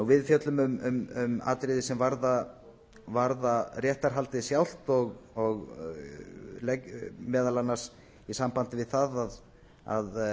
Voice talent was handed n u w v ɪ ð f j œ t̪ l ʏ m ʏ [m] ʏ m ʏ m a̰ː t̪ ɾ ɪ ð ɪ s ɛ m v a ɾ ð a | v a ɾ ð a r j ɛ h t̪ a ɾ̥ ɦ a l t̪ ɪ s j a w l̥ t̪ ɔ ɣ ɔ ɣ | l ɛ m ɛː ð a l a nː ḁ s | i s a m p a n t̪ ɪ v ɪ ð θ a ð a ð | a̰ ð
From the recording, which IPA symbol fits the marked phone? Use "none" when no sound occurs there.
m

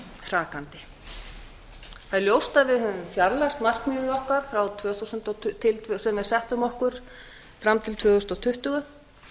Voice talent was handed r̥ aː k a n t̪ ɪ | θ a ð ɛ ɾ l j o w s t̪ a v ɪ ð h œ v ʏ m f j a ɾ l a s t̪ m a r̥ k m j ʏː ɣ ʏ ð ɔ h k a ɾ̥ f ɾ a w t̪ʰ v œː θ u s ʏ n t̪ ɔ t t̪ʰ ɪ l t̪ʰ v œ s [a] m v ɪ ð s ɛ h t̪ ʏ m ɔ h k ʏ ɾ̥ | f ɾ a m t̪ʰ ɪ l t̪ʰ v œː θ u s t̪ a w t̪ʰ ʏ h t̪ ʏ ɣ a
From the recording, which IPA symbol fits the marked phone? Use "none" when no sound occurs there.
ɛ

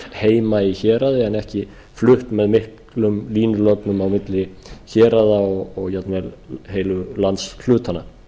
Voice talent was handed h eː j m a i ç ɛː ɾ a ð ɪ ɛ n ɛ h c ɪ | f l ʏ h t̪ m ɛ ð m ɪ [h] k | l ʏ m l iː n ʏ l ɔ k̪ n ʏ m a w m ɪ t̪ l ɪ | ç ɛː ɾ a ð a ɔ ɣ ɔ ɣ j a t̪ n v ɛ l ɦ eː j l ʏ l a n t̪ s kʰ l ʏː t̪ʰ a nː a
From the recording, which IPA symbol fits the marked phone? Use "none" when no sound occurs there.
h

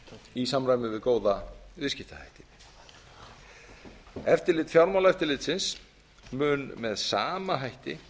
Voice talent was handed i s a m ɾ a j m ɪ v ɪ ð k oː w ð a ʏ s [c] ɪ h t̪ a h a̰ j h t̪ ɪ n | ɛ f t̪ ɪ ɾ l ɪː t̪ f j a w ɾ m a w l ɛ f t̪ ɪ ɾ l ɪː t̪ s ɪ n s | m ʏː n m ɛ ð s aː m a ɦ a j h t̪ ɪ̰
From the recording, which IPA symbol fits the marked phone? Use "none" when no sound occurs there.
c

